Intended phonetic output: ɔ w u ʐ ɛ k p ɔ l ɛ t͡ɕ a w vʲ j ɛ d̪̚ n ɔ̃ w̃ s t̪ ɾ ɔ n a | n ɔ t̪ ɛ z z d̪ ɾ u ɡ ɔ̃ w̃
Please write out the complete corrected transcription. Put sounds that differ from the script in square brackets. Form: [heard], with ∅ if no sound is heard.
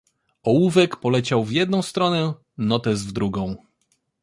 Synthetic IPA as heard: ɔ w u [v] ɛ k p ɔ l ɛ t͡ɕ a w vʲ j ɛ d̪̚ n ɔ̃ w̃ s t̪ ɾ ɔ n [ɛ] | n ɔ t̪ ɛ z [v] d̪ ɾ u ɡ ɔ̃ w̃